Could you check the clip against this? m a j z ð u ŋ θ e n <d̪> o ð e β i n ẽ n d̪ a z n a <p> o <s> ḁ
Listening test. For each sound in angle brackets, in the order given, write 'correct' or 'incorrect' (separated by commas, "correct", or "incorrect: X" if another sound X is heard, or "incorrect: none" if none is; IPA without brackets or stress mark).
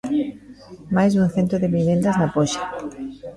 incorrect: t̪, correct, incorrect: ʃ